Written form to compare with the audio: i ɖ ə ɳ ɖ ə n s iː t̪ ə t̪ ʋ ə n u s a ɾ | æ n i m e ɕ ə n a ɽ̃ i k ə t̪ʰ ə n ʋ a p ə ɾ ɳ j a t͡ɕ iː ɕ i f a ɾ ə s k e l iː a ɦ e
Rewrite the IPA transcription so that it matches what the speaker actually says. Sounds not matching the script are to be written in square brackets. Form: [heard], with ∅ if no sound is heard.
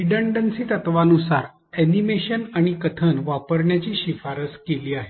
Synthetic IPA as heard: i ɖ ə ɳ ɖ ə n s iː t̪ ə t̪ ʋ [a] n u s a ɾ | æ n i m e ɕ ə n a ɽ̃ i k ə t̪ʰ ə n ʋ a p ə ɾ ɳ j a t͡ɕ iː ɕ i f a ɾ ə s k e l iː a ɦ e